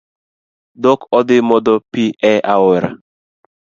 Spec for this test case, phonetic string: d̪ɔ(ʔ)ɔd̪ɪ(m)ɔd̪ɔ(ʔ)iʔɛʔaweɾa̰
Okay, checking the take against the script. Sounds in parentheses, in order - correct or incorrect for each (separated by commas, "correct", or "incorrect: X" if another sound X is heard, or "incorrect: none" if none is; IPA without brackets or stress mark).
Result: incorrect: k, correct, incorrect: p